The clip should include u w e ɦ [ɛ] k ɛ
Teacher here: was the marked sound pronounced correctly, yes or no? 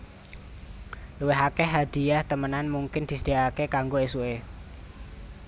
no